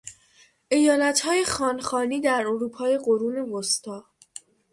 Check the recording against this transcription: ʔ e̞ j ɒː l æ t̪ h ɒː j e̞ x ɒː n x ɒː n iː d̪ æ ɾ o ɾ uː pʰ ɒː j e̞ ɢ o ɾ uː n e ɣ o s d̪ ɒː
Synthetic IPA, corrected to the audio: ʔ e̞ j ɒː l æ t̪ h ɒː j e̞ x ɒː n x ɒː n iː d̪ æ ɾ o ɾ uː pʰ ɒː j e̞ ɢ o ɾ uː n e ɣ o s t̪ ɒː